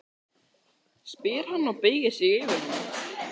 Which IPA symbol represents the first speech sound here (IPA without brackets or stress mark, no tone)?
s